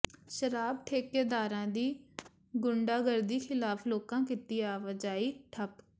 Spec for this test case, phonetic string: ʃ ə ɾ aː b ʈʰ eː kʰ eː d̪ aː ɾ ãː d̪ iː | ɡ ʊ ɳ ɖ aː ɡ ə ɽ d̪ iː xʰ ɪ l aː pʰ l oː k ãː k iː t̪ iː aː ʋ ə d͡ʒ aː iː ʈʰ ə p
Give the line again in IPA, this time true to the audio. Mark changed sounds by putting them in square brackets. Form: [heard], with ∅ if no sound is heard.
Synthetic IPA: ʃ ə ɾ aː b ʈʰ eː [k] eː d̪ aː ɾ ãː d̪ iː | ɡ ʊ ɳ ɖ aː ɡ ə [ɾ] d̪ iː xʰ ɪ l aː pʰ l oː k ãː k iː t̪ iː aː ʋ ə d͡ʒ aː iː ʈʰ ə p